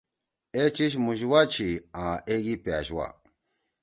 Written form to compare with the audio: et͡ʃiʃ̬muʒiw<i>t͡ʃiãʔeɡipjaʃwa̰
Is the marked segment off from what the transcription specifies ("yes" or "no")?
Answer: yes